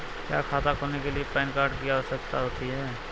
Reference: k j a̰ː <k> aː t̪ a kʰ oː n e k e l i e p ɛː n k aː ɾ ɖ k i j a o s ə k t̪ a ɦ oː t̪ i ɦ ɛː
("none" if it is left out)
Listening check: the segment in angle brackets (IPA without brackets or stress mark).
kʰ